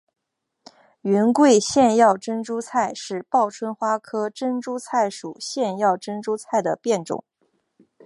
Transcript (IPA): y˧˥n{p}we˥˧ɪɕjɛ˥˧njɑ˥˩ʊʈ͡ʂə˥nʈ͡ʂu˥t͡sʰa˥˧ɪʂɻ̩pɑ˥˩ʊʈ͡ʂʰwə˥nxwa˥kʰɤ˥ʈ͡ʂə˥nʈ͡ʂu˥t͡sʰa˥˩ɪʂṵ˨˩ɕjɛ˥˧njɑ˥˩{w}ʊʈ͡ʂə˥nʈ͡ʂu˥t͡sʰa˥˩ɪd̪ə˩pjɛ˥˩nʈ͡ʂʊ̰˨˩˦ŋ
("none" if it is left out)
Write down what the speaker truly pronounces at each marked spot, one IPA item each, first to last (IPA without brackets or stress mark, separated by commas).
k, none